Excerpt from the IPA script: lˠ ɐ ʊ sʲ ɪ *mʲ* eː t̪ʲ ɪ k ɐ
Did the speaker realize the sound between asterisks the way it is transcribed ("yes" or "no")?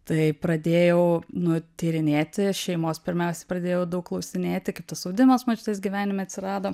no